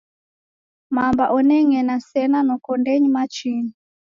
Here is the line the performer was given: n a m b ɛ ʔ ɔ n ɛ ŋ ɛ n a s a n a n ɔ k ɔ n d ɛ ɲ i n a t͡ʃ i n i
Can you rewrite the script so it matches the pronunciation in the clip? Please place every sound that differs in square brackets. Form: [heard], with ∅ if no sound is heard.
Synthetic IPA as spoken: [m] a m b [a] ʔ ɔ n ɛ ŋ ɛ n a s [ɛ] n a n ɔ k ɔ n d ɛ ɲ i [m] a t͡ʃ i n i